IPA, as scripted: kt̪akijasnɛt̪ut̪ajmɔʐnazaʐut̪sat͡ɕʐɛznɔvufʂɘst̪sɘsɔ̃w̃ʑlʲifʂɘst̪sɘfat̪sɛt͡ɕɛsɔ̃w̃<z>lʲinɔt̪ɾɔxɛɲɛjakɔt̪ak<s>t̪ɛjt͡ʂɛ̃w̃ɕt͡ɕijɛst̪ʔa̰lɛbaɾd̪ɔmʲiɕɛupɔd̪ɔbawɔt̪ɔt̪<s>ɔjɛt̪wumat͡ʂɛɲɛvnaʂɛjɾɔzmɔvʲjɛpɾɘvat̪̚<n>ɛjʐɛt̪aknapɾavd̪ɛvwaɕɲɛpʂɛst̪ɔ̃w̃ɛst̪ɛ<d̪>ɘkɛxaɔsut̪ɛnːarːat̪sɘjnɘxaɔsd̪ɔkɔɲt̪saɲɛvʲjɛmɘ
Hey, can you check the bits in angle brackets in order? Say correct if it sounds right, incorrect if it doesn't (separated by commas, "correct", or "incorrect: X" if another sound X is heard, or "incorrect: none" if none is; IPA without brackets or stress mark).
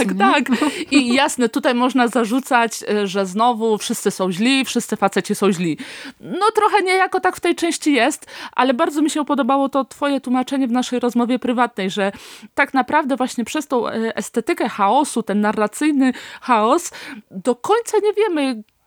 incorrect: ʑ, incorrect: f, incorrect: f, correct, incorrect: t̪